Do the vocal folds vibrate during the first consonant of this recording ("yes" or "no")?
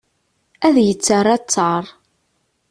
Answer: yes